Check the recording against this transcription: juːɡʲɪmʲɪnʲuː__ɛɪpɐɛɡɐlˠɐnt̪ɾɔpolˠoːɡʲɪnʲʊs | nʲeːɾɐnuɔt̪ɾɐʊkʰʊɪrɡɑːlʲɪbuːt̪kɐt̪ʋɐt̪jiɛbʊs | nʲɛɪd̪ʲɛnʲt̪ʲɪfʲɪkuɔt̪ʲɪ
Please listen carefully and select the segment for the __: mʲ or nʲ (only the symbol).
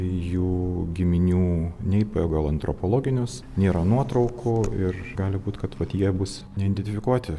nʲ